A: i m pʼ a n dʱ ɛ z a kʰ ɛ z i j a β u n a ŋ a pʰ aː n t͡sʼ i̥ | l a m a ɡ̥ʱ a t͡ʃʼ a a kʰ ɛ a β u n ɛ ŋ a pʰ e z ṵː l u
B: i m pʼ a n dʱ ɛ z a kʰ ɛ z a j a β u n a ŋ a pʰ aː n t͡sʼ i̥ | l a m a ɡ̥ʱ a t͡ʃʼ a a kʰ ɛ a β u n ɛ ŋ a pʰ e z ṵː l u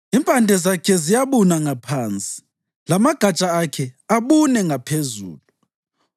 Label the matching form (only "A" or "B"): A